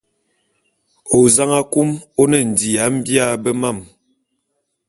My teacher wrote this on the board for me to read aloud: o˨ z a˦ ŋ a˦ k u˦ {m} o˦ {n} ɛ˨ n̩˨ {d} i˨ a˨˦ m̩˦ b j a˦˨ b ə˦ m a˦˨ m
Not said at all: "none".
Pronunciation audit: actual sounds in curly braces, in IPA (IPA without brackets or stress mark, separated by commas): m, n, d